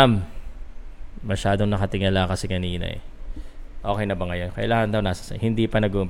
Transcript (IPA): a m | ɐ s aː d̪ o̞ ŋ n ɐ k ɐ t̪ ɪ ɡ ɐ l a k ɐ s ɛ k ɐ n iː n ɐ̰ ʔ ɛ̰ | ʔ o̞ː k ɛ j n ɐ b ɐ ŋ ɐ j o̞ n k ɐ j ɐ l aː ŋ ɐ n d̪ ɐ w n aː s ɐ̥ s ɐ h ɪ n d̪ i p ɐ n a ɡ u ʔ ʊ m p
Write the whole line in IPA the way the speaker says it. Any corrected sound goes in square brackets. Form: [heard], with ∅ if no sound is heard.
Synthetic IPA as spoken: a m | ɐ [ʃ] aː d̪ o̞ ŋ n ɐ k ɐ t̪ ɪ [ŋ] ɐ l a k ɐ s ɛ k ɐ n iː n ɐ̰ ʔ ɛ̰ | ʔ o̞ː k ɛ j n ɐ b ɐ ŋ ɐ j o̞ n k ɐ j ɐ l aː ŋ ɐ n d̪ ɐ w n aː s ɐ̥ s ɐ h ɪ n d̪ i p ɐ n [ɐ] ɡ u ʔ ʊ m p